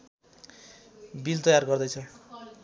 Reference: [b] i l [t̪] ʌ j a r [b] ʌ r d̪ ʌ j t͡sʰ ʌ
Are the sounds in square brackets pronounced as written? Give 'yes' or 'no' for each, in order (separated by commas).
yes, yes, no